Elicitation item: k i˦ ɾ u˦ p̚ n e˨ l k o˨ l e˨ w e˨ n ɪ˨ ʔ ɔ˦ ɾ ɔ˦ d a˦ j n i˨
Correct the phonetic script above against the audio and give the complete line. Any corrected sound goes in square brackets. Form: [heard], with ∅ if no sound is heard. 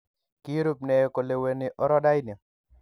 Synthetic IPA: k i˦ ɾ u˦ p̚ n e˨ [∅] k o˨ l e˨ w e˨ n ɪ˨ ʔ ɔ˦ ɾ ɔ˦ d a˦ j n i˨